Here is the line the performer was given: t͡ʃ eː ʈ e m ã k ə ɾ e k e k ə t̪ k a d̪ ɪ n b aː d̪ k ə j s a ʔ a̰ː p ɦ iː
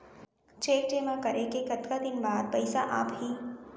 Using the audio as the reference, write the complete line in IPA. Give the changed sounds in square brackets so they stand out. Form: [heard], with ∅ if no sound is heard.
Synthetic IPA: t͡ʃ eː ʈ e m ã k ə ɾ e k e k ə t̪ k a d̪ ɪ n b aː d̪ [p] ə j s a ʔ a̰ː p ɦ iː